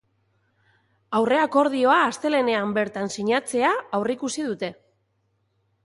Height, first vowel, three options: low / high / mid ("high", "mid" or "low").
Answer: low